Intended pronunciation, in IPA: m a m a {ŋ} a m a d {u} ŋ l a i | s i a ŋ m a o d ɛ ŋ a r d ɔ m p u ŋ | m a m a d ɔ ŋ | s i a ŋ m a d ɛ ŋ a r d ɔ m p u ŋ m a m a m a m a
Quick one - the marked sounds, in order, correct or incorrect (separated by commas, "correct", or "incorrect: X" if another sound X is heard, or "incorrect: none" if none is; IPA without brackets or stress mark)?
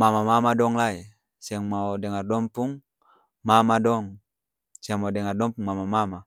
incorrect: m, incorrect: ɔ